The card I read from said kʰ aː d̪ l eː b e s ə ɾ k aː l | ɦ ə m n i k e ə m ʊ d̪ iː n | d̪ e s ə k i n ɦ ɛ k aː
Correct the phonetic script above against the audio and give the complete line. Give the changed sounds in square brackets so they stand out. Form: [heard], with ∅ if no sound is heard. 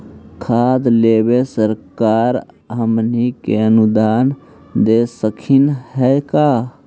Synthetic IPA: kʰ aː d̪ l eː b e s ə ɾ k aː [ɾ] | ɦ ə m n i k e ə [n] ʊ d̪ [aː] n | d̪ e s ə [kʰ] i n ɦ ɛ k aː